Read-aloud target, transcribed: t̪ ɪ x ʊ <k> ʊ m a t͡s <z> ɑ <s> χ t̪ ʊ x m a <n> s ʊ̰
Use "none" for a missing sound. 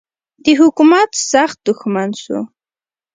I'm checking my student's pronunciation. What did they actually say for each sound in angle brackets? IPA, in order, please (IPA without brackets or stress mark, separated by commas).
k, s, none, n